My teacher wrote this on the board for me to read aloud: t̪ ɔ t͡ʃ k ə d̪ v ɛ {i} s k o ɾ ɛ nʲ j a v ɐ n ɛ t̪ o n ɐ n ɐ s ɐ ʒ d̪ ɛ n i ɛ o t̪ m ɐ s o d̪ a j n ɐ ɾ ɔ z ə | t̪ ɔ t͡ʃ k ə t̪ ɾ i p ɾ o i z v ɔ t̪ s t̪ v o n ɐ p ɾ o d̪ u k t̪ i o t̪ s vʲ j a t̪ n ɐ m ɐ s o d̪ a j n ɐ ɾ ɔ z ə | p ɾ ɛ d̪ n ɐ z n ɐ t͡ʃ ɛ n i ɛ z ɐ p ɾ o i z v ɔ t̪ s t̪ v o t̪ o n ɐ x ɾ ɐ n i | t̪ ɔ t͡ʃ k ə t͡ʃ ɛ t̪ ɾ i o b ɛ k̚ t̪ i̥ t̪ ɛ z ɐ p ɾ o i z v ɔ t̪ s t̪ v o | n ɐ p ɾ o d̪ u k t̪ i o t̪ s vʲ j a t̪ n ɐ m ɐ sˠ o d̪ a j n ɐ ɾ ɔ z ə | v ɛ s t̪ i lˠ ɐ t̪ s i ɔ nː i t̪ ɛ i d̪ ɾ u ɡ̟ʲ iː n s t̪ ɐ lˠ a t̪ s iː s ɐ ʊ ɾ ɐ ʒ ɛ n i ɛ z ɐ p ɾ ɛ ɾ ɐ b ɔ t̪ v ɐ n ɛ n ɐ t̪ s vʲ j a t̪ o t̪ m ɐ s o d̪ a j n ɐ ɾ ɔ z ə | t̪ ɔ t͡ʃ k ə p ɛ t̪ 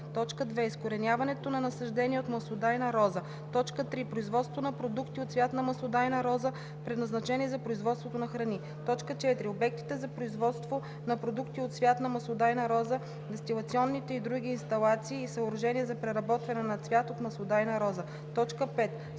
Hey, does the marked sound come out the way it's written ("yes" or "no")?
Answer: yes